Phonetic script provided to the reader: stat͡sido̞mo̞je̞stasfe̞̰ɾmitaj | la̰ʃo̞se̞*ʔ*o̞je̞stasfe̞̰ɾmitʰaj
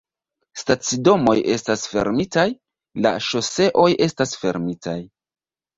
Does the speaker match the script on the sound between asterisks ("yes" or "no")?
yes